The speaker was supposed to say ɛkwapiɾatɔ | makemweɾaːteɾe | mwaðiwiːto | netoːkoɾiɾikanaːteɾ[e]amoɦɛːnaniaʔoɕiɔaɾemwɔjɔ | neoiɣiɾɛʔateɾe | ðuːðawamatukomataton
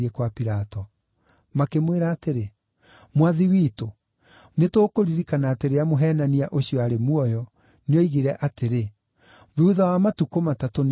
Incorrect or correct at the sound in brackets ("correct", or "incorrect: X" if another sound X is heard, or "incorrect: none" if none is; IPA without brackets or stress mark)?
correct